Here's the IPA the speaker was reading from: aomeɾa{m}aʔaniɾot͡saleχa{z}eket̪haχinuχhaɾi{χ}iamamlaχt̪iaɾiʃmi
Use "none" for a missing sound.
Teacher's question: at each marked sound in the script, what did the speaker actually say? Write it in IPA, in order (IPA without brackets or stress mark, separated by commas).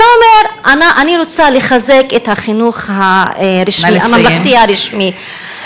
n, z, ʃ